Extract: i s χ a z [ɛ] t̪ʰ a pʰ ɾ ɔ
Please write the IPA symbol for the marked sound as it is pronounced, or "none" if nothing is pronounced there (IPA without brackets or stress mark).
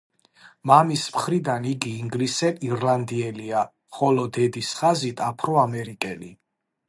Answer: i